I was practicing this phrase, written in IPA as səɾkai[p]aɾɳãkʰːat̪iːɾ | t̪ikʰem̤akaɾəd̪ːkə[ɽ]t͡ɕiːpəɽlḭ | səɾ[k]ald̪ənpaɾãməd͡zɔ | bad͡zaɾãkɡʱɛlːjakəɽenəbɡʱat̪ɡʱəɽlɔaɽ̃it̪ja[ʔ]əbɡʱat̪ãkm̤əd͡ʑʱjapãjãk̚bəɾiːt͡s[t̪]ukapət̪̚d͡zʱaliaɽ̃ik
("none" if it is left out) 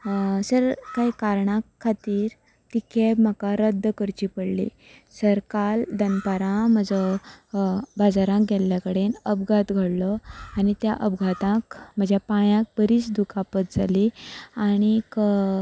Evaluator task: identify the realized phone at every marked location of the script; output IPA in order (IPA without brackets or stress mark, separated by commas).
k, ɾ, k, ʔ, d̪